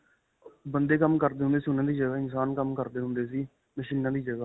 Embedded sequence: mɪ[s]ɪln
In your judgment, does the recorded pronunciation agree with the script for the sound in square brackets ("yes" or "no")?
no